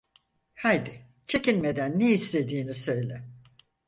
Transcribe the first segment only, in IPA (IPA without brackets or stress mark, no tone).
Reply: h